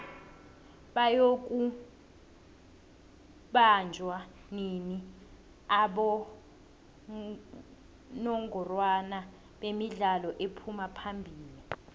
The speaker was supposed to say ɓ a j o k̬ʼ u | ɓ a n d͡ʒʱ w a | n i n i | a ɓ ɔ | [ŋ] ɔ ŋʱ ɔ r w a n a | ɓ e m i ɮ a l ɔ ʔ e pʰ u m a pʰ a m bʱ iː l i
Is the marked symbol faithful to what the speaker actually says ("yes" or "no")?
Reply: no